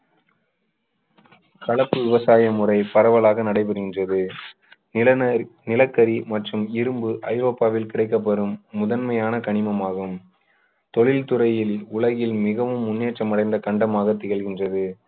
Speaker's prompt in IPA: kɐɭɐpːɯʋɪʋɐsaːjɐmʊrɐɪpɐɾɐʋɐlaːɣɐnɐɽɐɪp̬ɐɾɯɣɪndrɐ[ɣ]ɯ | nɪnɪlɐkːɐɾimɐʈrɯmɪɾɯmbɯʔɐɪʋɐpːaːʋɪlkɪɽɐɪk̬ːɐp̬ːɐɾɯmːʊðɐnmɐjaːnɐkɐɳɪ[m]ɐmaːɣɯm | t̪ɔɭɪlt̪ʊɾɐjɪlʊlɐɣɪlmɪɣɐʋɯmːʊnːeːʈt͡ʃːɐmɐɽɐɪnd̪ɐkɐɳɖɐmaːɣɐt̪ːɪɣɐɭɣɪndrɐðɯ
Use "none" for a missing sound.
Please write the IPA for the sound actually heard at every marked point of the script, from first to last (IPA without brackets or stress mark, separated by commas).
ð, m